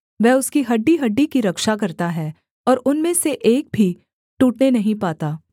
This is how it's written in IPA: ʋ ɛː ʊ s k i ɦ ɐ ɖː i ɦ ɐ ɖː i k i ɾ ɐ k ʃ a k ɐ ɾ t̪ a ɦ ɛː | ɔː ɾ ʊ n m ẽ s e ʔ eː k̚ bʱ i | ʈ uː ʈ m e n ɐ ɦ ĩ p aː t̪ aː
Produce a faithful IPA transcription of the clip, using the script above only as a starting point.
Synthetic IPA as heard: ʋ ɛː ʊ s k i ɦ ɐ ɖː i ɦ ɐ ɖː i k i ɾ ɐ k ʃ a k ɐ ɾ t̪ a ɦ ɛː | ɔː ɾ ʊ n m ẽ s e ʔ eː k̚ bʱ i | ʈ uː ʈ n e n ɐ ɦ ĩ p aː t̪ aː